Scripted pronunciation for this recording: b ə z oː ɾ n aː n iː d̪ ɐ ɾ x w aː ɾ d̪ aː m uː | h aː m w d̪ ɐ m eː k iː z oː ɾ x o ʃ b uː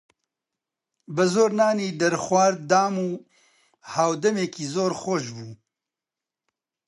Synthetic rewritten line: b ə z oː ɾ n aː n iː d̪ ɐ ɾ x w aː ɾ d̪ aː m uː | h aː w d̪ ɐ m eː k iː z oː ɾ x o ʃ b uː

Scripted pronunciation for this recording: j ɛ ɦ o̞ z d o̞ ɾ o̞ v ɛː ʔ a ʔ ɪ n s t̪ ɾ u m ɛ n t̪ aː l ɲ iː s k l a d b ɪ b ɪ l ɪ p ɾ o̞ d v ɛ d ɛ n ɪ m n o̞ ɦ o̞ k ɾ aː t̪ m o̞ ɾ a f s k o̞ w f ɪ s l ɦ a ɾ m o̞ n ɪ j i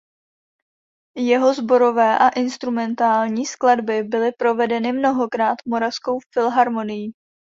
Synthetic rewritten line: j ɛ ɦ o̞ z b o̞ ɾ o̞ v ɛː ʔ a ʔ ɪ n s t̪ ɾ u m ɛ n t̪ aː l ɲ iː s k l a d b ɪ b ɪ l ɪ p ɾ o̞ v ɛ d ɛ n ɪ m n o̞ ɦ o̞ k ɾ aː t̪ m o̞ ɾ a f s k o̞ w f ɪ l ɦ a ɾ m o̞ n ɪ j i

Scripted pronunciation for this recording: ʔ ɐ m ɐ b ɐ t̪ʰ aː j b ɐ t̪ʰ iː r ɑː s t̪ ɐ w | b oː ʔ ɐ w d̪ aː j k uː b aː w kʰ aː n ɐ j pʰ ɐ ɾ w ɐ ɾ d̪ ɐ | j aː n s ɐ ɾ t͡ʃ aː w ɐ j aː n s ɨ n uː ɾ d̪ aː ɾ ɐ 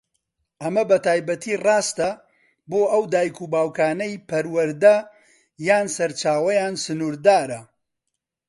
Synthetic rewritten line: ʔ ɐ m ɐ b ɐ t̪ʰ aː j b ɐ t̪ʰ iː r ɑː s t̪ ɐ | b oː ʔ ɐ w d̪ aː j k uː b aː w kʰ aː n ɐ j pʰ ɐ ɾ w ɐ ɾ d̪ ɐ | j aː n s ɐ ɾ t͡ʃ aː w ɐ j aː n s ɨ n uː ɾ d̪ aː ɾ ɐ

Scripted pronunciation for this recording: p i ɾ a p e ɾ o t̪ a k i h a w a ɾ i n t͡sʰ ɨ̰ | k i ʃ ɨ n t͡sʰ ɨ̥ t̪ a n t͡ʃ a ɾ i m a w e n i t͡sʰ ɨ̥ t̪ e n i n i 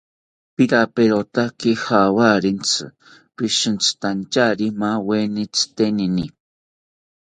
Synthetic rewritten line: p i ɾ a p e ɾ o t̪ a k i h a w a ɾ i n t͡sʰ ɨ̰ | p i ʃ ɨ n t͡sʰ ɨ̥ t̪ a n t͡ʃ a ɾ i m a w e n i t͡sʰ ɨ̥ t̪ e n i n i

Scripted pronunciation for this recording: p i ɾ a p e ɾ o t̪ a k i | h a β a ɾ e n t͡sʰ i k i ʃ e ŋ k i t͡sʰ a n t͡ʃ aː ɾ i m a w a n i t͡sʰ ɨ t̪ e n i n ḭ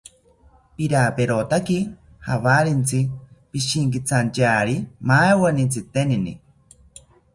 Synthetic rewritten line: p i ɾ a p e ɾ o t̪ a k i | h a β a ɾ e n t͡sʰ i p i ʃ i ŋ k i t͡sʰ a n t͡ʃ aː ɾ i m a w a n i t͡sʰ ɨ t̪ e n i n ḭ

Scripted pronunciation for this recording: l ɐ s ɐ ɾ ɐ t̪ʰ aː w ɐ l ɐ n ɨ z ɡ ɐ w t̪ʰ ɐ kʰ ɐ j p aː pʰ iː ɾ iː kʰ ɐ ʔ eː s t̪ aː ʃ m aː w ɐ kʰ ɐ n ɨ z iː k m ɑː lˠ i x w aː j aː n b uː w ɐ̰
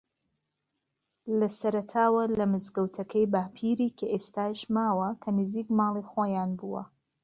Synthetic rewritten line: l ɐ s ɐ ɾ ɐ t̪ʰ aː w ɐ l ɐ m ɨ z ɡ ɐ w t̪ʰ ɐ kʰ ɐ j b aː pʰ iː ɾ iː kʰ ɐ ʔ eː s t̪ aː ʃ m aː w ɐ kʰ ɐ n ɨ z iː k m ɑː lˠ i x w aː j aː n b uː w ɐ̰

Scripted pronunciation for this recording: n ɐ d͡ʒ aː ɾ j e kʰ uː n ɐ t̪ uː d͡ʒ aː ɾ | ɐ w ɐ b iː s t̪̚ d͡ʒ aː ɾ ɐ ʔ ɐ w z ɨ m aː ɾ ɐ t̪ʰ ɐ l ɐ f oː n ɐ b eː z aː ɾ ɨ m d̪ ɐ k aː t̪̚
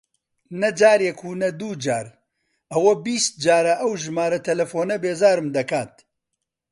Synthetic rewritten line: n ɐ d͡ʒ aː ɾ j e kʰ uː n ɐ d̪ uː d͡ʒ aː ɾ | ɐ w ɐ b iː s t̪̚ d͡ʒ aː ɾ ɐ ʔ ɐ w ʒ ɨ m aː ɾ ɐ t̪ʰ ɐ l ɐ f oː n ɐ b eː z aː ɾ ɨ m d̪ ɐ k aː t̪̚

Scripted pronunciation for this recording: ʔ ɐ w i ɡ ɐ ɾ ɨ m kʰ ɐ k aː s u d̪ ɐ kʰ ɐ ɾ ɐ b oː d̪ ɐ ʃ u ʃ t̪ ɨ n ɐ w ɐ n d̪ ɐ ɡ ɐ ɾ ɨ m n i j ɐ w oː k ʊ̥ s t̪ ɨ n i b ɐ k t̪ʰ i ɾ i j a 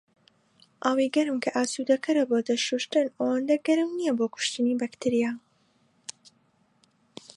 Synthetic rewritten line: ʔ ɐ w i ɡ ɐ ɾ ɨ m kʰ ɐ ʔ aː s u d̪ ɐ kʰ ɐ ɾ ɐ b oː d̪ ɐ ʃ u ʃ t̪ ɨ n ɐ w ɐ n d̪ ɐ ɡ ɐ ɾ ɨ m n i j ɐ b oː k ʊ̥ ʃ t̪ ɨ n i b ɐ k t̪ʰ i ɾ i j a

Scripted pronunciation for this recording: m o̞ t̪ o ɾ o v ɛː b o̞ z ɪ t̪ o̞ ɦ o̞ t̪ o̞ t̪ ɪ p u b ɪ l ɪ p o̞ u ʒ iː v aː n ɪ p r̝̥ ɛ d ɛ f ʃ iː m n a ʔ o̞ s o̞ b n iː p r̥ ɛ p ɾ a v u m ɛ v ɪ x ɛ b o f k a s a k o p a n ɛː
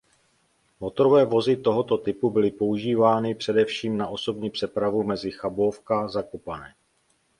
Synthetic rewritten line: m o̞ t̪ o ɾ o v ɛː v o̞ z ɪ t̪ o̞ ɦ o̞ t̪ o̞ t̪ ɪ p u b ɪ l ɪ p o̞ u ʒ iː v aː n ɪ p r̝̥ ɛ d ɛ f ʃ iː m n a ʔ o̞ s o̞ b ɲ iː p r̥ ɛ p ɾ a v u m ɛ z ɪ x a b o f k a z a k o p a n ɛː

